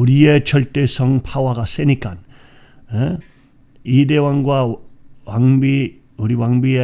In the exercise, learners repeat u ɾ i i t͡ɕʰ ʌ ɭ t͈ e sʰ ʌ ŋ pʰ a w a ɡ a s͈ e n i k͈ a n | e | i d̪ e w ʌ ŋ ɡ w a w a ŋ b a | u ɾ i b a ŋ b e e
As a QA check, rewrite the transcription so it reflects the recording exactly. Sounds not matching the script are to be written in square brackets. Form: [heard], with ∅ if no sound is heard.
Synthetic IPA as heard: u ɾ i [e] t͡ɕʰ ʌ ɭ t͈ e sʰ ʌ ŋ pʰ a w a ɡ a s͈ e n i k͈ a n | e | i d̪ e w [a] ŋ ɡ w a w a ŋ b [i] | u ɾ i [w] a ŋ b [i] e